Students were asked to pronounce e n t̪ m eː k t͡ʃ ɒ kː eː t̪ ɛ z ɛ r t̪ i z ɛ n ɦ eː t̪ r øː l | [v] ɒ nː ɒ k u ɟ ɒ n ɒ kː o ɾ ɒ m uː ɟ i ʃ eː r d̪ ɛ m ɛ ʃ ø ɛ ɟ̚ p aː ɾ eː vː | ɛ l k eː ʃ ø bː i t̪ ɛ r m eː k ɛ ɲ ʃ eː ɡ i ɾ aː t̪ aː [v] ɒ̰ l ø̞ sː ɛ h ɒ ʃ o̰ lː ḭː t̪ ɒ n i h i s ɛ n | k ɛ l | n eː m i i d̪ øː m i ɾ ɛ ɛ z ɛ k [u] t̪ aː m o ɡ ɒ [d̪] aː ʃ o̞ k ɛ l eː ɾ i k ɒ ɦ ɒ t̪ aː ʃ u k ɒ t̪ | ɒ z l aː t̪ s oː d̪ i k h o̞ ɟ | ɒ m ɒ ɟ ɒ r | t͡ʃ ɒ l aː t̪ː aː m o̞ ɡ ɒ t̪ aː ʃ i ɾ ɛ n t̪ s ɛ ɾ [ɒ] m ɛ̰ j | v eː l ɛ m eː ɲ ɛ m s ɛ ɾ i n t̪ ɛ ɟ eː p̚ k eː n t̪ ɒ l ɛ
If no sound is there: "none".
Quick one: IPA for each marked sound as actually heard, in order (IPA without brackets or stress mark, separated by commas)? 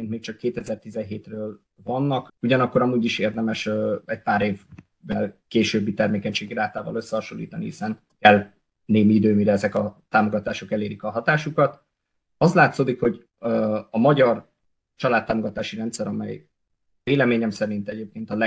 v, v, ɒ, t̪, ɒ